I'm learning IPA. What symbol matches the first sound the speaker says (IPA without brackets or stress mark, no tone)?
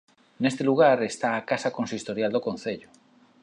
n